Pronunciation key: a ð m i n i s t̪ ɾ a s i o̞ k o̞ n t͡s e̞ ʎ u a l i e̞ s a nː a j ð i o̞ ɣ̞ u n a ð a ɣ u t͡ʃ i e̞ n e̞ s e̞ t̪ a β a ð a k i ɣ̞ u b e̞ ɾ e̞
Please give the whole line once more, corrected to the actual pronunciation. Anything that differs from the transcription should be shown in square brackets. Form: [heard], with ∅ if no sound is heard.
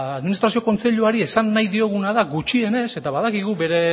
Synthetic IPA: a ð m i n i s t̪ ɾ a s i o̞ k o̞ n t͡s e̞ ʎ u a [ɾ] i e̞ s a nː a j ð i o̞ ɣ̞ u n a ð a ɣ u t͡ʃ i e̞ n e̞ s e̞ t̪ a β a ð a k i ɣ̞ u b e̞ ɾ e̞

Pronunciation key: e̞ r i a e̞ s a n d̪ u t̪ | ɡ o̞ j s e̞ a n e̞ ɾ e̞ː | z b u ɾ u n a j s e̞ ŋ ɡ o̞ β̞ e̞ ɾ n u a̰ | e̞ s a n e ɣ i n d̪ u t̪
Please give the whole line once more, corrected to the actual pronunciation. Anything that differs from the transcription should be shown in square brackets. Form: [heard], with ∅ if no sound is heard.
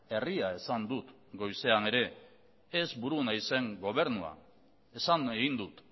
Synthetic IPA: e̞ r i a e̞ s a n d̪ u t̪ | ɡ o̞ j s e̞ a n e̞ ɾ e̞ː | z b u ɾ u n a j s e̞ ŋ ɡ o̞ β̞ e̞ ɾ n u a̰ | e̞ s a n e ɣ i n d̪ u t̪

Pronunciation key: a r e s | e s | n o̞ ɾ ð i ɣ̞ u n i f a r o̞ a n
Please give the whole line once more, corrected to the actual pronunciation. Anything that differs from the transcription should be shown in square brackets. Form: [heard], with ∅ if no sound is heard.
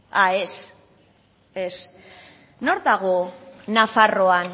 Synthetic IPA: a [∅] e s | e s | n o̞ ɾ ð [a] ɣ̞ [o] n [a] f a r o̞ a n

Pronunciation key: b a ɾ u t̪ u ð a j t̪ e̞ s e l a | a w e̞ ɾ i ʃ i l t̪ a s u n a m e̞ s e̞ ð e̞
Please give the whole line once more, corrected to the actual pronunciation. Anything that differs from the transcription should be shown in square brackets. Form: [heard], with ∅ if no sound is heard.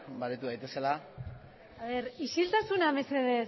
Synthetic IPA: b a ɾ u t̪ u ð a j t̪ e̞ s e l a | a [β] e̞ ɾ i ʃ i l t̪ a s u n a m e̞ s e̞ ð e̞

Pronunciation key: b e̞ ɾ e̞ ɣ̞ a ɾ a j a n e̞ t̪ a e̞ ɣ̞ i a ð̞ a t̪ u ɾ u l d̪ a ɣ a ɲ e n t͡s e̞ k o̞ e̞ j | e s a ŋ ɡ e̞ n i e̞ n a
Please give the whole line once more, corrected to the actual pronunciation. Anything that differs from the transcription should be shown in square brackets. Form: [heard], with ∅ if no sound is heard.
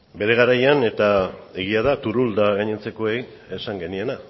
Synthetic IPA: b e̞ ɾ e̞ ɣ̞ a ɾ a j a n e̞ t̪ a e̞ ɣ̞ i a ð̞ a t̪ u ɾ u l d̪ a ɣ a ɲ e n t͡s e̞ k o̞ e̞ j | e s a ŋ ɡ e̞ n i e̞ n a

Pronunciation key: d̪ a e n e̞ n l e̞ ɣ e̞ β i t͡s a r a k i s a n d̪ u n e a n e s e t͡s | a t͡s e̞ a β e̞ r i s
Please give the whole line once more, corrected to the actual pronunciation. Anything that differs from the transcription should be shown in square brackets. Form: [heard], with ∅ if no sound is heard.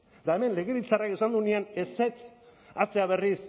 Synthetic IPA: d̪ a e [m] e̞ n l e̞ ɣ e̞ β i t͡s a r a k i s a n d̪ u n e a n e s e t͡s | a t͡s e̞ a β e̞ r i s

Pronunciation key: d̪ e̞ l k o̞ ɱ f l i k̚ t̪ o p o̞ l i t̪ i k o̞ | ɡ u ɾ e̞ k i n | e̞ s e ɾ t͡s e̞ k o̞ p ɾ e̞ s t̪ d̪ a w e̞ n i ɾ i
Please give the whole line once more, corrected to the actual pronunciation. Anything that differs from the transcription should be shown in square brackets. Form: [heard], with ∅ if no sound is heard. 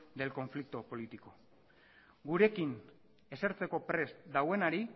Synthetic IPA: d̪ e̞ l k o̞ ɱ f l i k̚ t̪ o p o̞ l i t̪ i k o̞ | ɡ u ɾ e̞ k i n | e̞ s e ɾ t͡s e̞ k o̞ p ɾ e̞ s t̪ d̪ a w e̞ n [a] ɾ i

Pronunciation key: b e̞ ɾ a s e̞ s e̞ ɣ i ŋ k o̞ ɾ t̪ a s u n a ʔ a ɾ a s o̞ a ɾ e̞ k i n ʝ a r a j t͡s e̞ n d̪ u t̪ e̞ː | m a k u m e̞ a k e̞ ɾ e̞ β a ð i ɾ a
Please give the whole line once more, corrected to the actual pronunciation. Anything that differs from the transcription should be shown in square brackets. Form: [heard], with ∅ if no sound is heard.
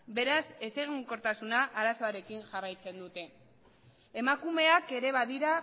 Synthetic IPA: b e̞ ɾ a s e̞ s e̞ ɣ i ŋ k o̞ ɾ t̪ a s u n a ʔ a ɾ a s o̞ a ɾ e̞ k i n ʝ a r a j t͡s e̞ n d̪ u t̪ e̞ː | m a k u m e̞ a k e̞ ɾ e̞ β a ð i ɾ a

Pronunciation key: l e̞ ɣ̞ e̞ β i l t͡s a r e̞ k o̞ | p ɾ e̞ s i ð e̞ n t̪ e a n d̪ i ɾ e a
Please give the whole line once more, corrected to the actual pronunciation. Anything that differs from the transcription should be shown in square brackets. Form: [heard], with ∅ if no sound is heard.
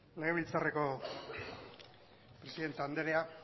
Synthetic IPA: l e̞ ɣ̞ e̞ β i l t͡s a r e̞ k o̞ | p ɾ e̞ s i ð e̞ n t̪ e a n d̪ [e] ɾ e a

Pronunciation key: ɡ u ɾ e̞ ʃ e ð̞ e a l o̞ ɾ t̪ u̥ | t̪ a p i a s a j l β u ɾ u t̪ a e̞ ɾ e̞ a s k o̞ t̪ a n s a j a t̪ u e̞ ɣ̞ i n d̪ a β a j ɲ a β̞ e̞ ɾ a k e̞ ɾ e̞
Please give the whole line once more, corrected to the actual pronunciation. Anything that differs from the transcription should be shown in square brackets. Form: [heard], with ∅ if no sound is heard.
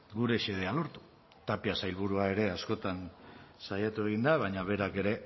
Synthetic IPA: ɡ u ɾ e̞ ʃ e ð̞ e a l o̞ ɾ t̪ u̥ | t̪ a p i a s a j l β u ɾ u [∅] a e̞ ɾ e̞ a s k o̞ t̪ a n s a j a t̪ u e̞ ɣ̞ i n d̪ a β a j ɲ a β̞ e̞ ɾ a k e̞ ɾ e̞

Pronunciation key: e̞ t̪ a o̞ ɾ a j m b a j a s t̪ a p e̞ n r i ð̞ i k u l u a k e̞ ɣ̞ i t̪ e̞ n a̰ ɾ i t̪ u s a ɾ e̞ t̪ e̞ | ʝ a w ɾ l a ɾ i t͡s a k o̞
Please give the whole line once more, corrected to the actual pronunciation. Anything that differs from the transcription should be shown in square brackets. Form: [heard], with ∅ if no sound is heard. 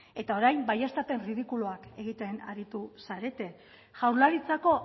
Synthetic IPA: e̞ t̪ a o̞ ɾ a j m b a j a s t̪ a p e̞ n r i ð̞ i k u l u a k e̞ ɣ̞ i t̪ e̞ n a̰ ɾ i t̪ u s a ɾ e̞ t̪ e̞ | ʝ a w ɾ l a ɾ i t͡s a k o̞

